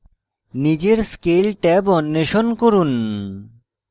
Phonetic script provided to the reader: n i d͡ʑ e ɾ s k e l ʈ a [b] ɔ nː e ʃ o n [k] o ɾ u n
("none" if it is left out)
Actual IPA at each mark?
b, k

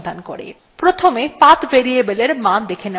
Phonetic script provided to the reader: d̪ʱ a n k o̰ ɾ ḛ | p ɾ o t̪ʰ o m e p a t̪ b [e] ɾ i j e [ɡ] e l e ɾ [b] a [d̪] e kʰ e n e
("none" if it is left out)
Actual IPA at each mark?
e, b, m, d̪

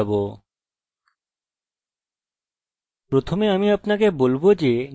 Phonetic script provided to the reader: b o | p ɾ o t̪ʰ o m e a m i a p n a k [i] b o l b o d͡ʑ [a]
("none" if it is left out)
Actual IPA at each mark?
e, e

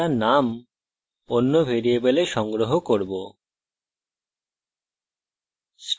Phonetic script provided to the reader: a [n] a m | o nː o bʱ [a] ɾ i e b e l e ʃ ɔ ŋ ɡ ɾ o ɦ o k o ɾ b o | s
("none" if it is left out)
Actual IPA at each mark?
n, e

